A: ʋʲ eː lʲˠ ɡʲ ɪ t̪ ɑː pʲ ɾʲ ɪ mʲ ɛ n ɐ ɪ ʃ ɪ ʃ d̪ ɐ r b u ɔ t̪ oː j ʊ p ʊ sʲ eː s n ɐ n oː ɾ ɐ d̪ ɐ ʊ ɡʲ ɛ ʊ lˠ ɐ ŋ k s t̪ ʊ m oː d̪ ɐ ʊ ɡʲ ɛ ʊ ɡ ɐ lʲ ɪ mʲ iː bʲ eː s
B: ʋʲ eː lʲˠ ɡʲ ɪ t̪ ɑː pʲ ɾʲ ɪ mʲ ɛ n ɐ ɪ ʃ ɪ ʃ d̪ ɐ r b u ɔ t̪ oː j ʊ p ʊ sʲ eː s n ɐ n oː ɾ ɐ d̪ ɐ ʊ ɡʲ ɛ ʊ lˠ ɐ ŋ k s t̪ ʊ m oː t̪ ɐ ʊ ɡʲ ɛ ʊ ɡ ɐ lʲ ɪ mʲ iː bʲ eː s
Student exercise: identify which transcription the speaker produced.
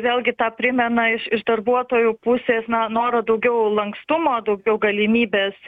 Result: A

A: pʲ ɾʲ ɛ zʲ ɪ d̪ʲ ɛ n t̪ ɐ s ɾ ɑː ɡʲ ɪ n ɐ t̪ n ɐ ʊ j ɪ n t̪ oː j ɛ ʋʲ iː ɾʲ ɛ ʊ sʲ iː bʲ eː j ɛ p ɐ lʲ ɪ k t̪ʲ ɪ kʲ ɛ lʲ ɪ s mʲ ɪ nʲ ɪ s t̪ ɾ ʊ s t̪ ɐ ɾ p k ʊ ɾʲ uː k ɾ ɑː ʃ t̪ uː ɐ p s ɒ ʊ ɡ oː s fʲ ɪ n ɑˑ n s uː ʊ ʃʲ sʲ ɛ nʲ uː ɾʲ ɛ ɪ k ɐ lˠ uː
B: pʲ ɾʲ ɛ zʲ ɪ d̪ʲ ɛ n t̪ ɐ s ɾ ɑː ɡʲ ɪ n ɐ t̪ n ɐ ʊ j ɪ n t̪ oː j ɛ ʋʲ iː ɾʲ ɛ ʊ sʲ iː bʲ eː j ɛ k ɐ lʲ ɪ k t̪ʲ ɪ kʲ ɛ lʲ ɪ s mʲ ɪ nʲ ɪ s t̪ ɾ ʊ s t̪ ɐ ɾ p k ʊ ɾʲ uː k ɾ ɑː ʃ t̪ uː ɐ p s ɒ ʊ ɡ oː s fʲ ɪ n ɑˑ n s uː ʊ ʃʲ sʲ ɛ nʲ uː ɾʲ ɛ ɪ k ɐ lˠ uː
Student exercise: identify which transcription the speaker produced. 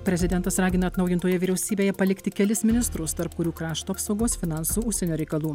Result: A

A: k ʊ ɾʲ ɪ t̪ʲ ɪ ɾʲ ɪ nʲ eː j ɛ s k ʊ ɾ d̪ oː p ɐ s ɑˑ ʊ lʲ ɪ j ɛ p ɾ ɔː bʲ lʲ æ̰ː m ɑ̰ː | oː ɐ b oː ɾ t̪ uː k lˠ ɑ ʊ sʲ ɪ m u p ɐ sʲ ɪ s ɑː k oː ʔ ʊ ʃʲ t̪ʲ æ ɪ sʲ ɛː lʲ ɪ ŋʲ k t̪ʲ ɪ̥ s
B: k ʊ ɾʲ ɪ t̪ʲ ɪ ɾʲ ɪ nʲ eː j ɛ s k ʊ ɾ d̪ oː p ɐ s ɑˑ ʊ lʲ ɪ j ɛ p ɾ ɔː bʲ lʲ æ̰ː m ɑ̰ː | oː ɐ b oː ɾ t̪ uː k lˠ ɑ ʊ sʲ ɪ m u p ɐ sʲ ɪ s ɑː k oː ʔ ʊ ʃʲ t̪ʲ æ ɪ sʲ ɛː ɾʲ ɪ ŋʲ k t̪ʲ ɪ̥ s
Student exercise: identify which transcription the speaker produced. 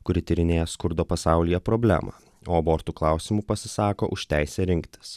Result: B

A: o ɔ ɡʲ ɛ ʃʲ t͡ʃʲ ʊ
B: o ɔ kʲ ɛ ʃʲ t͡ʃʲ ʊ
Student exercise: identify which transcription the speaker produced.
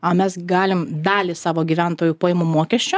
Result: B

